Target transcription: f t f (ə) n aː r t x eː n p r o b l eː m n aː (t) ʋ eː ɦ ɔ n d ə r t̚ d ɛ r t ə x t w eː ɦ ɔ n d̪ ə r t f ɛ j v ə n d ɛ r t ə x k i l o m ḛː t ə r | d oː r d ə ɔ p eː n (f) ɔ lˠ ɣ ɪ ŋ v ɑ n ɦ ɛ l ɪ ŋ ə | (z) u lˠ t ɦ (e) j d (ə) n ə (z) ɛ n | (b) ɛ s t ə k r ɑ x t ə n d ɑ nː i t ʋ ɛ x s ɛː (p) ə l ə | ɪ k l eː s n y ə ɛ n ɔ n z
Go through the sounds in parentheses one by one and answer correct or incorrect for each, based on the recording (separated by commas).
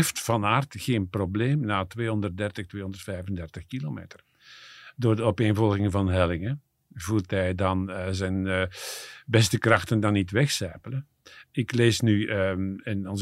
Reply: incorrect, correct, incorrect, incorrect, incorrect, incorrect, correct, correct, correct